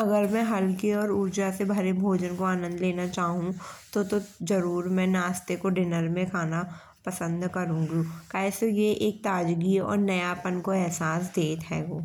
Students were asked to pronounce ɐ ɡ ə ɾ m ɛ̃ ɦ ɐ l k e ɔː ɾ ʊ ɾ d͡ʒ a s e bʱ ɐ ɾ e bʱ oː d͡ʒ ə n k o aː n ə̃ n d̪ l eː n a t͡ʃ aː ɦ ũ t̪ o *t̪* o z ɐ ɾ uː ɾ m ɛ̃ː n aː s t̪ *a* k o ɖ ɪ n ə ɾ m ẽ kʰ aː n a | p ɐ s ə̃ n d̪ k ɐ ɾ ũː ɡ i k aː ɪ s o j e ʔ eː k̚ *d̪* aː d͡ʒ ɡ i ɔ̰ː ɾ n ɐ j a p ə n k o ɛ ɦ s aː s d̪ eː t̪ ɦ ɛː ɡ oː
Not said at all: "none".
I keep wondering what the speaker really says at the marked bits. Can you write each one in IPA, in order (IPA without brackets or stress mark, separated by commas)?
t̪, e, t̪